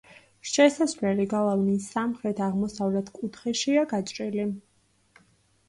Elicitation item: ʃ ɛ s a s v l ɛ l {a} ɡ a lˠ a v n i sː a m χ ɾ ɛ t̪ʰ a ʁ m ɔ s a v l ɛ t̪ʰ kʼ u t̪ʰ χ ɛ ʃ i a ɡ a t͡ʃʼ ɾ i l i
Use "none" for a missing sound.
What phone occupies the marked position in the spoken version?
i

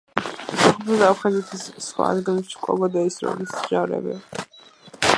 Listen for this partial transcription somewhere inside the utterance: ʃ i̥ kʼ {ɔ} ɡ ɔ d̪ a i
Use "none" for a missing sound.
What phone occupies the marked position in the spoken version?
ɔ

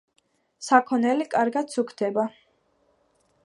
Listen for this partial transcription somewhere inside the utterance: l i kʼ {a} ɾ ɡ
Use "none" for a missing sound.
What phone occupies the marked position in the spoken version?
a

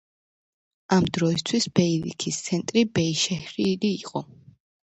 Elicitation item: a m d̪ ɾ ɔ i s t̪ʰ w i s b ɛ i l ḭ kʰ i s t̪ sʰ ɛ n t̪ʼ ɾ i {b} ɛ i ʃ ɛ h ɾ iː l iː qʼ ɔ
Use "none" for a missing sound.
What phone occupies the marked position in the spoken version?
b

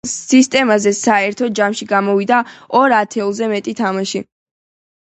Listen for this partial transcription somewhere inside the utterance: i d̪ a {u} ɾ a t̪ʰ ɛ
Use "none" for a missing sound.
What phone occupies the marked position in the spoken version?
ɔ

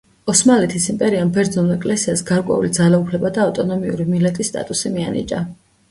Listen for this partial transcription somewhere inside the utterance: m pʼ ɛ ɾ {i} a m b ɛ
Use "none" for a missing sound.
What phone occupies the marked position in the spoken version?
i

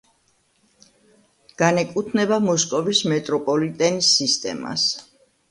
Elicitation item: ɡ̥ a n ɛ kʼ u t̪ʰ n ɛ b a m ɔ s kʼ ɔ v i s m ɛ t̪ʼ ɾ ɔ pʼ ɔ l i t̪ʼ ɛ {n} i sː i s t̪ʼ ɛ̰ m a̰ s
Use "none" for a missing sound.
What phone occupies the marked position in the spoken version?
n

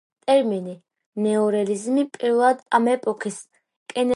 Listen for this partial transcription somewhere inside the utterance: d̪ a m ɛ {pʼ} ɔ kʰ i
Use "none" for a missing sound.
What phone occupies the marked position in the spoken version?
pʼ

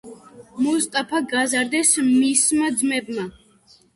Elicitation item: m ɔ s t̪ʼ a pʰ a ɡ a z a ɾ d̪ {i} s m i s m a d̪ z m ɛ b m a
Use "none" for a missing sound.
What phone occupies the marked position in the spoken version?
ɛ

